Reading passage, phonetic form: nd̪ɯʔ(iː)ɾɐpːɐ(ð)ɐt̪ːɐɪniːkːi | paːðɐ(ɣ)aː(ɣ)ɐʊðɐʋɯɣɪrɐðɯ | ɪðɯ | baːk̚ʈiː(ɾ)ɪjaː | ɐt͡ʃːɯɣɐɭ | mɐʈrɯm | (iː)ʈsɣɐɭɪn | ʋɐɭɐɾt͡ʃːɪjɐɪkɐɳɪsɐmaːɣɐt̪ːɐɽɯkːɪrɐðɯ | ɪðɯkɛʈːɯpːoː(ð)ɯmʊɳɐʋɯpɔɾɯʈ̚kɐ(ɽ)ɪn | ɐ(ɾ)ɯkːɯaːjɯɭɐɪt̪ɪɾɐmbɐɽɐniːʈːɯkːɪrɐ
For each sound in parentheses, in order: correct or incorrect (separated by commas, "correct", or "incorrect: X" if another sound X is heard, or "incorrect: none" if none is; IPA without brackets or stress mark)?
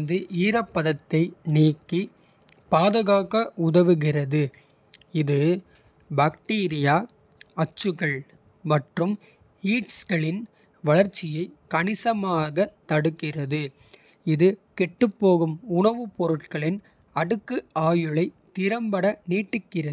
correct, correct, correct, correct, correct, correct, incorrect: ɣ, incorrect: ɭ, incorrect: ɽ